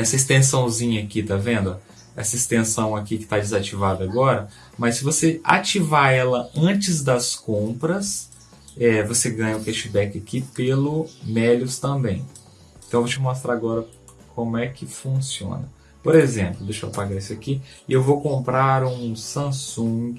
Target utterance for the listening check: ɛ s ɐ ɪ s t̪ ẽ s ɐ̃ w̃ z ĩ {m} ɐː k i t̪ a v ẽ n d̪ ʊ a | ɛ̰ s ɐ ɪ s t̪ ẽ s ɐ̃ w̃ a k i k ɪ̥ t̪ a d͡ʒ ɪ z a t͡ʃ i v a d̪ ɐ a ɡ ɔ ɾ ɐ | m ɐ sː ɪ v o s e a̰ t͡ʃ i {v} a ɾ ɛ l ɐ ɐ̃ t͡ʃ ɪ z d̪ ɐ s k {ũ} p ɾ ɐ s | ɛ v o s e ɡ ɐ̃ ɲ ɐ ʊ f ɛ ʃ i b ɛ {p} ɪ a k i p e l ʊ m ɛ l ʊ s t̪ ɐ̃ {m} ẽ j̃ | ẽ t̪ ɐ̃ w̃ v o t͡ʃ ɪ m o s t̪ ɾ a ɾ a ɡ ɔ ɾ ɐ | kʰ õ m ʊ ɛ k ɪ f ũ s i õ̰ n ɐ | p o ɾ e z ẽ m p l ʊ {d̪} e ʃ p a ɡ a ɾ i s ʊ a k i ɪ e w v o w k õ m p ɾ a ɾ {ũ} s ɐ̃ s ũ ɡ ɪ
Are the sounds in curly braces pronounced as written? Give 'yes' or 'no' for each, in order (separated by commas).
no, yes, no, no, no, yes, yes